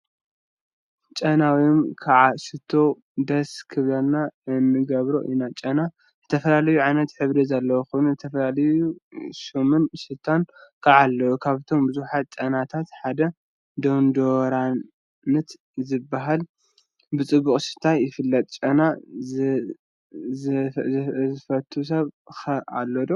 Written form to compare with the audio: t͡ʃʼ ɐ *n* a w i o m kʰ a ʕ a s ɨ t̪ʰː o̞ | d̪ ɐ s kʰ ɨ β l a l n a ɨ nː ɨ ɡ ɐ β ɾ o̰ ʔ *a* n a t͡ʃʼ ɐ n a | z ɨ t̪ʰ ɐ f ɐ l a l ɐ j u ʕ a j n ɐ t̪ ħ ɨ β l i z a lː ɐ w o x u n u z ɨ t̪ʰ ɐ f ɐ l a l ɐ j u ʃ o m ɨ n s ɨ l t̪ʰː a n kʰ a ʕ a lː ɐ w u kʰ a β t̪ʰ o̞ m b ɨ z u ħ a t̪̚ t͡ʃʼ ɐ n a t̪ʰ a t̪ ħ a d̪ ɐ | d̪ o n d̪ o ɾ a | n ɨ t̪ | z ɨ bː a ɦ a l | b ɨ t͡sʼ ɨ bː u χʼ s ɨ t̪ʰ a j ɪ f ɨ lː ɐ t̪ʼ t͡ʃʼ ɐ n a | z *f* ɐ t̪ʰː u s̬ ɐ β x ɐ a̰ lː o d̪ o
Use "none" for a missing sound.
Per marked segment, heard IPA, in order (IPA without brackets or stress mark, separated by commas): n, i, f